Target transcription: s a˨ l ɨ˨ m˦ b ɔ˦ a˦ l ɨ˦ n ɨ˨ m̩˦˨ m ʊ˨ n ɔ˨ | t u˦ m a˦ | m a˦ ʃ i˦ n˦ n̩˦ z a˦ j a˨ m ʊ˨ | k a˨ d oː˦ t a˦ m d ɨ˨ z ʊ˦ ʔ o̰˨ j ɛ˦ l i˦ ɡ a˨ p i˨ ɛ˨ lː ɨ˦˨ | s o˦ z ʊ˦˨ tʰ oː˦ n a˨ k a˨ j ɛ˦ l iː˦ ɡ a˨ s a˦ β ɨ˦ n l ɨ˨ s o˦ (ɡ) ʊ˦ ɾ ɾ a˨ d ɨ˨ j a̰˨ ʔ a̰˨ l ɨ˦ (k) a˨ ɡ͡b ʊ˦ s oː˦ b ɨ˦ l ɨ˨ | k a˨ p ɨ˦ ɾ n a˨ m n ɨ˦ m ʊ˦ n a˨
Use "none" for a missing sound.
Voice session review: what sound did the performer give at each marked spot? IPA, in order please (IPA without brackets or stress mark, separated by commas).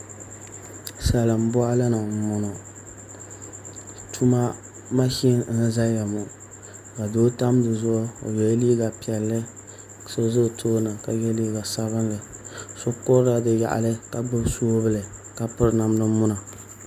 k, k